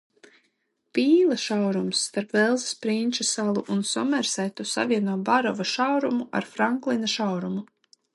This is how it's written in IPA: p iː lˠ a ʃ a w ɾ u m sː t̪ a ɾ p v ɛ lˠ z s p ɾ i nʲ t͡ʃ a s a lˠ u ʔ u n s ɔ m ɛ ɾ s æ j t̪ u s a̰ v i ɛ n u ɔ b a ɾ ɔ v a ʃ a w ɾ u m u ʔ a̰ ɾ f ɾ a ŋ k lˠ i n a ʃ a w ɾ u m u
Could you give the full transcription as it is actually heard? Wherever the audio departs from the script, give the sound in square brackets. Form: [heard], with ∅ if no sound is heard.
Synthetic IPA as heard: p iː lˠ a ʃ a w ɾ u m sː t̪ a ɾ p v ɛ lˠ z s p ɾ i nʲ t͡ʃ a s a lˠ u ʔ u n s ɔ m ɛ ɾ s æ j t̪ u s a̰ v i ɛ n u ɔ b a ɾ ɔ v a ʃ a w ɾ u m u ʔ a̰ ɾ f ɾ a ŋ k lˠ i n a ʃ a w ɾ u m u